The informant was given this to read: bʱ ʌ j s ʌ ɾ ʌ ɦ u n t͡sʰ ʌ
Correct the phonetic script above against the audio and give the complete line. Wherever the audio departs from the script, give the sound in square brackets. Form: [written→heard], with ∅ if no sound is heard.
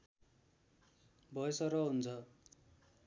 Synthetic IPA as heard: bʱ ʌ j s ʌ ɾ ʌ ɦ u n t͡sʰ ʌ